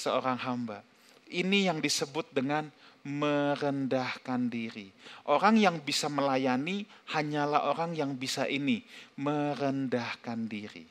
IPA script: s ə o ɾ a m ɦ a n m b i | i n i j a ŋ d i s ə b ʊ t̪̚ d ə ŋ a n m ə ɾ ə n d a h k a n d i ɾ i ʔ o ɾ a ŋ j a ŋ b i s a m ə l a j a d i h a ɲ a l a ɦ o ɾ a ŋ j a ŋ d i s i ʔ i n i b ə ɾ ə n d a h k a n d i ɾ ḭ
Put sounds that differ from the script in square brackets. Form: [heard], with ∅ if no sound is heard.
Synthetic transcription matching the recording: s ə o ɾ a [ŋ] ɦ a [∅] m b [a] | i n i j a ŋ d i s ə b ʊ t̪̚ d ə ŋ a n m ə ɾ ə n d a h k a n d i ɾ i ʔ o ɾ a ŋ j a ŋ b i s a m ə l a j a [n] i h a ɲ a l a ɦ o ɾ a ŋ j a ŋ [b] i s [a] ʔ i n i [m] ə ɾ ə n d a h k a n d i ɾ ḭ